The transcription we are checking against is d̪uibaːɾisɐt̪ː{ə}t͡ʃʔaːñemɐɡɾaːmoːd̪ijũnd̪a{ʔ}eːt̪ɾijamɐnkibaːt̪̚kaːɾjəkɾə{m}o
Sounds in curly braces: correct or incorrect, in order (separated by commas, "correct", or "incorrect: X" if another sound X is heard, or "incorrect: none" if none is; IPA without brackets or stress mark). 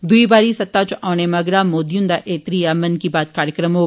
incorrect: a, correct, correct